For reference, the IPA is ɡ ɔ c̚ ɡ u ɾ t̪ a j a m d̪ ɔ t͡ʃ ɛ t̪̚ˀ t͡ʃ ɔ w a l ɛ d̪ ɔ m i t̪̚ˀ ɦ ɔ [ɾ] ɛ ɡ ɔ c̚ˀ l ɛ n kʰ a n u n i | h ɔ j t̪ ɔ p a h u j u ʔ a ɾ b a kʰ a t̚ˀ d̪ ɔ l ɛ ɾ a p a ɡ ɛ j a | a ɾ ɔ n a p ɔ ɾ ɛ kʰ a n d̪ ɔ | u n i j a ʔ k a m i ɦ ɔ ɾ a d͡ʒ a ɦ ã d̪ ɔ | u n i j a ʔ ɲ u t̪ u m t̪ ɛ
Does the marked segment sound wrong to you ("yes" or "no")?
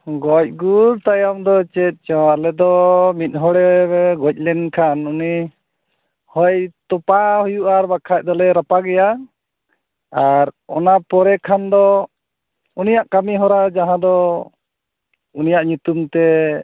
yes